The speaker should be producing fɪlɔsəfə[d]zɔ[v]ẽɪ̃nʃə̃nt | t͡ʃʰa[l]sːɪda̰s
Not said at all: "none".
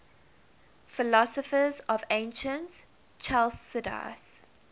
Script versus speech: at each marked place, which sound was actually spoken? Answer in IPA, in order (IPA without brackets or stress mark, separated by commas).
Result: none, v, l